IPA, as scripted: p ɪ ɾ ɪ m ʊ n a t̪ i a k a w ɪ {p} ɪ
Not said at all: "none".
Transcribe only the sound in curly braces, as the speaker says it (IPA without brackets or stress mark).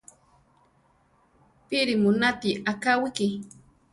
k